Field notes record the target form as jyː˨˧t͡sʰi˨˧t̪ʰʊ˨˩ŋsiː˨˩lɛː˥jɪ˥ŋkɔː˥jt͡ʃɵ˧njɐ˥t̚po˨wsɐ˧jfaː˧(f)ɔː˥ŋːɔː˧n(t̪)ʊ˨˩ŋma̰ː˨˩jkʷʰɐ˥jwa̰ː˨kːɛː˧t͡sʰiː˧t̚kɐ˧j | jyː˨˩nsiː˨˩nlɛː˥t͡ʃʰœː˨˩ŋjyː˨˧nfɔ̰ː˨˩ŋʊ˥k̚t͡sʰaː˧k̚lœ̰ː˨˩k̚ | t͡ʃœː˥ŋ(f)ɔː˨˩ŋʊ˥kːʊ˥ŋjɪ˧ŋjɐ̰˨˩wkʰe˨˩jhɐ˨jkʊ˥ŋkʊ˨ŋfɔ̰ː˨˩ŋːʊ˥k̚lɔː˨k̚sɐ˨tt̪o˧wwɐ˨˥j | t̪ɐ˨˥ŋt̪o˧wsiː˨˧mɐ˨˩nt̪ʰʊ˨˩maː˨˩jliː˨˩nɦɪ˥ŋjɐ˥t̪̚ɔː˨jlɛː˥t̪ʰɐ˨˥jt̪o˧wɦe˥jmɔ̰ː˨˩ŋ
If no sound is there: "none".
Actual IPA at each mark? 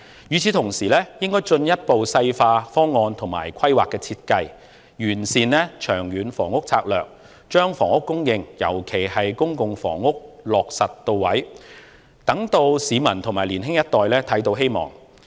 f, t̪ʰ, f

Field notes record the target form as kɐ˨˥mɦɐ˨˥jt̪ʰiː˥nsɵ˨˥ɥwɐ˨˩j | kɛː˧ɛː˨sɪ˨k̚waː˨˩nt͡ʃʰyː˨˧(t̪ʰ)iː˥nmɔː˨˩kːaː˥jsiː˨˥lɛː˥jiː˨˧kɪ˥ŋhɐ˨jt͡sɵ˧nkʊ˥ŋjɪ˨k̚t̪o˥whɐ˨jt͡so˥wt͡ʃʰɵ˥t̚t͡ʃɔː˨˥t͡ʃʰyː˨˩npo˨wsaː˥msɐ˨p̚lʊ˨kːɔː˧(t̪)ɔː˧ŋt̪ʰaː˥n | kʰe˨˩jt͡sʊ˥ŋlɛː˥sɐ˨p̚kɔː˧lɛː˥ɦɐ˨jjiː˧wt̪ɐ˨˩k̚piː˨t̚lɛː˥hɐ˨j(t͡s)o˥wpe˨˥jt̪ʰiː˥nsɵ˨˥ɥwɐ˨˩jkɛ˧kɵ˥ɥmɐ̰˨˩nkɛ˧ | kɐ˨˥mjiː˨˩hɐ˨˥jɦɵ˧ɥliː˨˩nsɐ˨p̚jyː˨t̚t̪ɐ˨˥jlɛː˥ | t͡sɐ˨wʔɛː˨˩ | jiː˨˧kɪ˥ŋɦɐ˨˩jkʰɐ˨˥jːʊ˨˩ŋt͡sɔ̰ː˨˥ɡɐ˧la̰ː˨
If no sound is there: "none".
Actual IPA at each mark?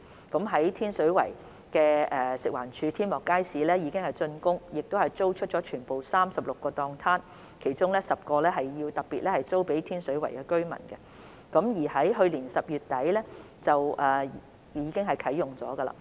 t̪ʰ, t̪, t͡s

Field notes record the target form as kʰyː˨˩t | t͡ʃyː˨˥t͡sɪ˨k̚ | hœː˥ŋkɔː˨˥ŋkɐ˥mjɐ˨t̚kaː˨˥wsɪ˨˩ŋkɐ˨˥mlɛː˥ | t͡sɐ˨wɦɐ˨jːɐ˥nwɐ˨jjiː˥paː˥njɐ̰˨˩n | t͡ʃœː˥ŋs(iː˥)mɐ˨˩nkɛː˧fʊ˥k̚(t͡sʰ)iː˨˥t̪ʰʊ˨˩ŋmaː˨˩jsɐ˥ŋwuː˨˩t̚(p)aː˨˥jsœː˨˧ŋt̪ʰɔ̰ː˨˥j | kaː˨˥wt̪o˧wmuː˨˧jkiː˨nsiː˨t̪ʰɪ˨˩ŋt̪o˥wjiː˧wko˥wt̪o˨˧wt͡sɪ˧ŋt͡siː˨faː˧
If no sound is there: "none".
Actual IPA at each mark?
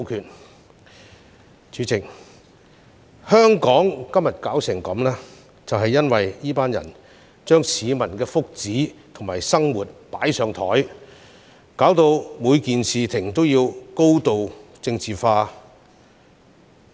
iː˨˧, t͡s, p

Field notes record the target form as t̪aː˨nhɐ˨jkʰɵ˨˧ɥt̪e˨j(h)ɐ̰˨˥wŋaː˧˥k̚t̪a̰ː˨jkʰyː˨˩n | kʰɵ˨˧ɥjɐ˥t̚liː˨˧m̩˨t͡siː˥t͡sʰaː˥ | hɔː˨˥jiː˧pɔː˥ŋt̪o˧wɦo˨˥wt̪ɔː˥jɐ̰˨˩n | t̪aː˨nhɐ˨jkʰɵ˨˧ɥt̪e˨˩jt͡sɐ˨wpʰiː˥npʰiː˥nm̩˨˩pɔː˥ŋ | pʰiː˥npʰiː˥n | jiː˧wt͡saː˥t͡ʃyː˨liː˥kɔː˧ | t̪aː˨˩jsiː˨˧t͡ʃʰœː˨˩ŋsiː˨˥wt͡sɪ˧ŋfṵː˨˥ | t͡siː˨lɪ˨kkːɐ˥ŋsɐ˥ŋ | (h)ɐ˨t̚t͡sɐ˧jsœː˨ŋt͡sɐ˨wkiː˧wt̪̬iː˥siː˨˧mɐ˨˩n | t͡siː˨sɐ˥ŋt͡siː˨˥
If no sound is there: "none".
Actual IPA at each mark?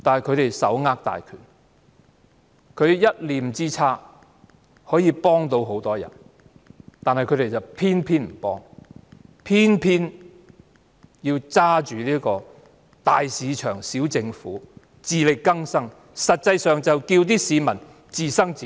s, s

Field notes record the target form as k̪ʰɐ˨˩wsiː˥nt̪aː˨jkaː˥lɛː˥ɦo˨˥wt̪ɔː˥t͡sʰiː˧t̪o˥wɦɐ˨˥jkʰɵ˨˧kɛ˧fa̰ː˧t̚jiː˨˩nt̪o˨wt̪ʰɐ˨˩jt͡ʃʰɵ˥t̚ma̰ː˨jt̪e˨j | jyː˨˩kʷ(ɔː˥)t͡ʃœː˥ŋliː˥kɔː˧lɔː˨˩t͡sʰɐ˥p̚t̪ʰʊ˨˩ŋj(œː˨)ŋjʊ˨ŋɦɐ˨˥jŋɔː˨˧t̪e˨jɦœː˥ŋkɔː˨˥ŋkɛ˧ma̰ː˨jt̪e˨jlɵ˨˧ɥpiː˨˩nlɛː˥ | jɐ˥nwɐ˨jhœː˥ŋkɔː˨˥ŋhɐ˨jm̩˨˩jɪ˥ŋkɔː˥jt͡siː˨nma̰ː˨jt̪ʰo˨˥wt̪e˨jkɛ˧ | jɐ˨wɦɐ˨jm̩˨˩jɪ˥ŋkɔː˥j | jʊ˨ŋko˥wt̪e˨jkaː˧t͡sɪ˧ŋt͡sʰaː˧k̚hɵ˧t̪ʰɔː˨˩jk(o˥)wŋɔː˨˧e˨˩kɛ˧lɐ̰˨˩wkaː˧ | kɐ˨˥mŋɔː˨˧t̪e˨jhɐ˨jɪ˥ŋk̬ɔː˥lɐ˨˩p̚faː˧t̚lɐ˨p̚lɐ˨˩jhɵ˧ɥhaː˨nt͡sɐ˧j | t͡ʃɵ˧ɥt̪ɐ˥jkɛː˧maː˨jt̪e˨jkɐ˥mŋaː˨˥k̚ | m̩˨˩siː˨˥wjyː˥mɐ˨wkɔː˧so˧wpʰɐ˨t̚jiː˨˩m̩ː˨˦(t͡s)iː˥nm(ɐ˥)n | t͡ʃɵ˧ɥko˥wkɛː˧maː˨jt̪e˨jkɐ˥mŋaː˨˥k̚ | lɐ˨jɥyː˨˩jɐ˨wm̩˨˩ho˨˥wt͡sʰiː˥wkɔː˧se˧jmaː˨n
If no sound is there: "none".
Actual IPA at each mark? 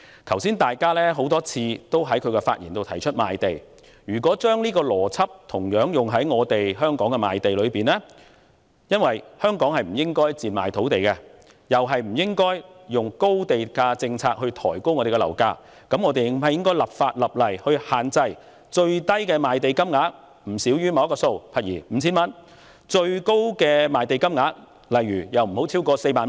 ɔː˨˥, œː˨˥, o˥, t͡sʰ, ɐ˥

